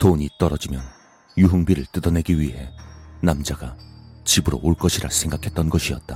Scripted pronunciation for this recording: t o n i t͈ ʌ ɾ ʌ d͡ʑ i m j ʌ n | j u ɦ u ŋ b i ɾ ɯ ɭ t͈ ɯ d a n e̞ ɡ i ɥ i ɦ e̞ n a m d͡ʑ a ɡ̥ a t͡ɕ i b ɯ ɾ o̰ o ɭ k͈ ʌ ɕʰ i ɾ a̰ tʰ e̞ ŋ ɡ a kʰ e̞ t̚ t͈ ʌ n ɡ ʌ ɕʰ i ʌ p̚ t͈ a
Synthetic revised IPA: t o ɲ i t͈ ʌ ɾ ʌ d͡ʑ i m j ʌ n | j u ɦ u ŋ b i ɾ ɯ ɭ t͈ ɯ d ʌ n e̞ ɡ i ɥ i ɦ e̞ n a m d͡ʑ a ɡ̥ a t͡ɕ i b ɯ ɾ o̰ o ɭ k͈ ʌ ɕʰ i ɾ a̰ sʰ e̞ ŋ ɡ a kʰ e̞ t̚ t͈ ʌ n ɡ ʌ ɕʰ i ʌ t̚ t͈ a